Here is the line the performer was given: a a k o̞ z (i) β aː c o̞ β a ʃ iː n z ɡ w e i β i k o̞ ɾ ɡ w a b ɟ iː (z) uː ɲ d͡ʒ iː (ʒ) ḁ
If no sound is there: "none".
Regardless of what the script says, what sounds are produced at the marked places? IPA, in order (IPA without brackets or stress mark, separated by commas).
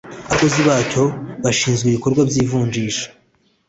i, v, ʃ